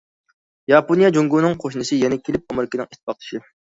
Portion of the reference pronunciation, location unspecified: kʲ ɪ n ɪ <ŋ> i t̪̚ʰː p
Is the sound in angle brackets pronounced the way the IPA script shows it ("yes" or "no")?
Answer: yes